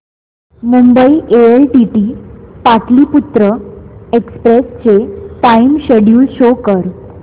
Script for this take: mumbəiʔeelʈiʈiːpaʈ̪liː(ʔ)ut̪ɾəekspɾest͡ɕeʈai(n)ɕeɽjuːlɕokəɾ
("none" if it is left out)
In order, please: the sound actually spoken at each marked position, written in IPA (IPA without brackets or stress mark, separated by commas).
p, m